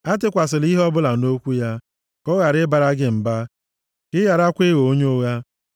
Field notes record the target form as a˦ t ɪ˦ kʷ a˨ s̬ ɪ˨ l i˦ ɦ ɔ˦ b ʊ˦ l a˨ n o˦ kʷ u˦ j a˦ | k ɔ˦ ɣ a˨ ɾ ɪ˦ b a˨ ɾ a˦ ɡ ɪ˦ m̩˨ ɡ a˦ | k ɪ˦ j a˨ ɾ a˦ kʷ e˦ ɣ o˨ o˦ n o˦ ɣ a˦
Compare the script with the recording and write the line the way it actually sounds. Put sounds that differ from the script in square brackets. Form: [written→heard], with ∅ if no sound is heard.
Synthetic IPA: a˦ t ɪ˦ kʷ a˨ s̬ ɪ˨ l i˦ ɦ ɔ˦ b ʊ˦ l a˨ n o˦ kʷ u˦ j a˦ | k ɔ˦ ɣ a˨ ɾ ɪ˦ b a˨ ɾ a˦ ɡ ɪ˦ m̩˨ [ɡ→b] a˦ | k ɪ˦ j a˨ ɾ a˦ kʷ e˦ ɣ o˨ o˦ [n→ɲ] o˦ ɣ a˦